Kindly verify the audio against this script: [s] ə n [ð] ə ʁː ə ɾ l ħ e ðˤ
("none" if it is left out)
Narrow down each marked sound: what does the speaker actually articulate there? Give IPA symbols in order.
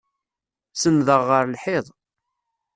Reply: s, ð

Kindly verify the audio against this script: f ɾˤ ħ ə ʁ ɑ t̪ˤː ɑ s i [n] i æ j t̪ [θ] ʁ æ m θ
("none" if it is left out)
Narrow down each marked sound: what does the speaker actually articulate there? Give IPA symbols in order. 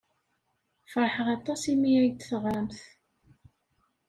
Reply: m, θ

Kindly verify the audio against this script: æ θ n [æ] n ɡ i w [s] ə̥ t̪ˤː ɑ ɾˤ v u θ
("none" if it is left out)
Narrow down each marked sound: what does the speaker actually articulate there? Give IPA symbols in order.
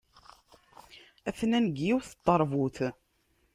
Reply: æ, θ

